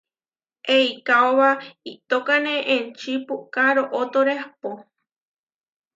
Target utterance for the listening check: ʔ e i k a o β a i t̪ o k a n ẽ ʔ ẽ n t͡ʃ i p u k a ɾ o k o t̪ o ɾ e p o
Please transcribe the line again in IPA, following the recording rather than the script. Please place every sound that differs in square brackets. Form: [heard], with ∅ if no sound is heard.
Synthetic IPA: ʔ e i k a o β a i t̪ o k a n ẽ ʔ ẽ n t͡ʃ i p u k a ɾ o [ʔ] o t̪ o ɾ e p o